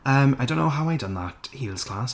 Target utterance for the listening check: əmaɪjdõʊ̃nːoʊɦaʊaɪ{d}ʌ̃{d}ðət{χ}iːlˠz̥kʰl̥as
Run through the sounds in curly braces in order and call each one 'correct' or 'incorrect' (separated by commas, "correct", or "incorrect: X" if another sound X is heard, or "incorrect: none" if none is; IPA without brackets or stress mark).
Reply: correct, incorrect: n, incorrect: h